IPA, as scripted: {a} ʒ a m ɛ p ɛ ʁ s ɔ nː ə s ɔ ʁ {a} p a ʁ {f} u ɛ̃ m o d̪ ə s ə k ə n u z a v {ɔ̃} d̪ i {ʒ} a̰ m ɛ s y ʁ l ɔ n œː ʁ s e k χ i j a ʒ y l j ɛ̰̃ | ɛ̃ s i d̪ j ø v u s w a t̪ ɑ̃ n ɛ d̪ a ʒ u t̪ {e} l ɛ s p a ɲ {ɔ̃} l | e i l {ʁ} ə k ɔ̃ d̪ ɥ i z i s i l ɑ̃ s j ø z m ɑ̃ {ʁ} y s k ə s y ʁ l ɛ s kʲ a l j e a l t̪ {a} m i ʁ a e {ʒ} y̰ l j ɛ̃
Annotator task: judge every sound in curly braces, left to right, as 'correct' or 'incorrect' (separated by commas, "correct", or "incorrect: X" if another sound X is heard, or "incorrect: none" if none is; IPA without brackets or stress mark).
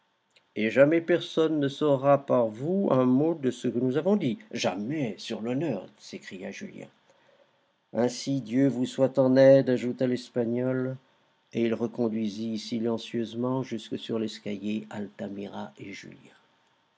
incorrect: e, correct, incorrect: v, correct, correct, incorrect: a, incorrect: ɔ, correct, incorrect: ʒ, correct, correct